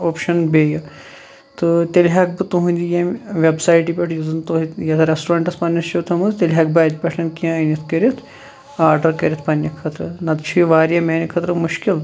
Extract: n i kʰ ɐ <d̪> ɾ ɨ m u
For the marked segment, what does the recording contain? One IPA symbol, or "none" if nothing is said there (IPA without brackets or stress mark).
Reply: t̪